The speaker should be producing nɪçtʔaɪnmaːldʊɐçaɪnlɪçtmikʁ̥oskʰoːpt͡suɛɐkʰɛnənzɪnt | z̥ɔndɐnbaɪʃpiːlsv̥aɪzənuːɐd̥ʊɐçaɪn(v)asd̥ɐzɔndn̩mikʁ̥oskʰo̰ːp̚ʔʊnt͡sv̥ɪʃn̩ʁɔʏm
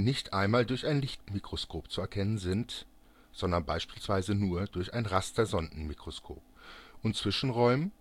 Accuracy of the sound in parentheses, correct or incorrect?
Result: incorrect